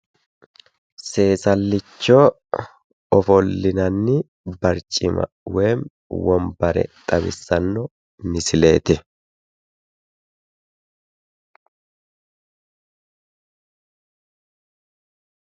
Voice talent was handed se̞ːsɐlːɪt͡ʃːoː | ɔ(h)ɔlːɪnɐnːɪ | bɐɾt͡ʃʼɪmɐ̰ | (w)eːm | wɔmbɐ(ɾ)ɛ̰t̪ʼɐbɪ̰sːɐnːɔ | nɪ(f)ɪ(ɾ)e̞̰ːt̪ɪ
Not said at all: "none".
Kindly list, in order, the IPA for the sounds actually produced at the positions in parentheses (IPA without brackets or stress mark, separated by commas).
f, w, ɾ, s, l